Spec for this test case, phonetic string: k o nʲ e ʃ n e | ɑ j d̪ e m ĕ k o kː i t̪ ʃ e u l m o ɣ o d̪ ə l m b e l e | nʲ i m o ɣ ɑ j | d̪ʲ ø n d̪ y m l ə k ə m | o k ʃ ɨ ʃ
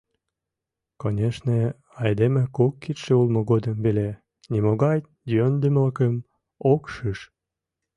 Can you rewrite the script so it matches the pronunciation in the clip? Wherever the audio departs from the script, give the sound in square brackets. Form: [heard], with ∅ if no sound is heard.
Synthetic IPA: k o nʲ e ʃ n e | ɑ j d̪ e m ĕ k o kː i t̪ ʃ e u l m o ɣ o d̪ ə [∅] m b e l e | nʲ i m o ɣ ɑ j | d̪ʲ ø n d̪ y m l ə k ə m | o k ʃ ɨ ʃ